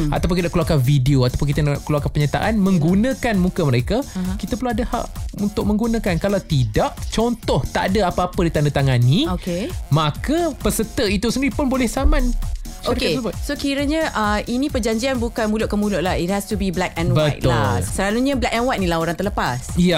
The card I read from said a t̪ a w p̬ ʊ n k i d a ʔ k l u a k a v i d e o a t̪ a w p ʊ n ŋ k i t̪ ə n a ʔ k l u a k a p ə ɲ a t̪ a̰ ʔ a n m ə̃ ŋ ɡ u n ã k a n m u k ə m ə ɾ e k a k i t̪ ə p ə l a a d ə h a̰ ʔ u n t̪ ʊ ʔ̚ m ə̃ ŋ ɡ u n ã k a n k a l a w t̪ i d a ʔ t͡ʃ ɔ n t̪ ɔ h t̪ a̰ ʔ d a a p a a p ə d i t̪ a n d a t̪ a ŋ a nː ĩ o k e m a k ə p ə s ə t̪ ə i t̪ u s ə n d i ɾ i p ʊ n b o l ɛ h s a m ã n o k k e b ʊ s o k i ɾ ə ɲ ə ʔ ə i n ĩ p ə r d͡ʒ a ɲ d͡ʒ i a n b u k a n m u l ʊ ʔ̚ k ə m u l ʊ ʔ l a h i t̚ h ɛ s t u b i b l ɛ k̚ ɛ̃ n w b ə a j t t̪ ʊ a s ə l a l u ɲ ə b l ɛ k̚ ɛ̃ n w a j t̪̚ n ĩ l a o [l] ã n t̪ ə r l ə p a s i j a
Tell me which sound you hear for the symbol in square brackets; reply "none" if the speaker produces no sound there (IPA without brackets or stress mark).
ɾ